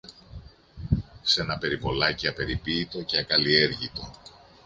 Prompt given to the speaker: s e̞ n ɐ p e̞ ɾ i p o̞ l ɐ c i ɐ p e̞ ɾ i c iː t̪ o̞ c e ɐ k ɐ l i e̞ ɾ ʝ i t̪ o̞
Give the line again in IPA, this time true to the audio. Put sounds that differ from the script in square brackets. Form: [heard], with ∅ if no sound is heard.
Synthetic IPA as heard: s e̞ n ɐ p e̞ ɾ i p o̞ l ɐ c i ɐ p e̞ ɾ i [p] iː t̪ o̞ c e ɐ k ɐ l i e̞ ɾ ʝ i t̪ o̞